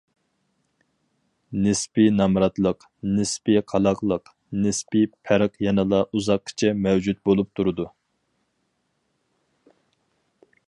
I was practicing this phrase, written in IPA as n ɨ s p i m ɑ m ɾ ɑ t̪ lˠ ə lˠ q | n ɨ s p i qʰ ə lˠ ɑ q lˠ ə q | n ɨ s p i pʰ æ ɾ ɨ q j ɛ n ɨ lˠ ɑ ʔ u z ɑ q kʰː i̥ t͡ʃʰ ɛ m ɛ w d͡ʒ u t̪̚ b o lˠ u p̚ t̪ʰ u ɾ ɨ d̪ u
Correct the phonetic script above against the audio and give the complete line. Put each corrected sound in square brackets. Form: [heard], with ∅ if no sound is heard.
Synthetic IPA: n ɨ s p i [n] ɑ m ɾ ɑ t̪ lˠ ə [∅] q | n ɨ s p i qʰ [ɑ] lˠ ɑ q lˠ ə q | n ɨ s p i pʰ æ ɾ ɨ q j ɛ n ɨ lˠ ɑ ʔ u z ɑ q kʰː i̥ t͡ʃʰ ɛ m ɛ w d͡ʒ u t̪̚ b o lˠ u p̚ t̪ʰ u ɾ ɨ d̪ u